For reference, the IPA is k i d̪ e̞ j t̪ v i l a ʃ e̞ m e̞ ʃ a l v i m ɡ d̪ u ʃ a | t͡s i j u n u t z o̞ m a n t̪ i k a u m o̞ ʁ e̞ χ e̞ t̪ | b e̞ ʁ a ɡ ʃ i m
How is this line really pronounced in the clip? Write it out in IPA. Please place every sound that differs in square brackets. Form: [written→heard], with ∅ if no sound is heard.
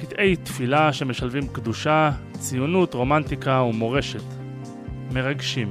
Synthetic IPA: k i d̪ e̞ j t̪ [v→f] i l a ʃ e̞ m e̞ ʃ a l v i m [ɡ→k] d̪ u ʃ a | t͡s i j u n u t [z→ʁ] o̞ m a n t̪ i k a u m o̞ ʁ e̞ [χ→ʃ] e̞ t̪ | [b→m] e̞ ʁ a ɡ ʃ i m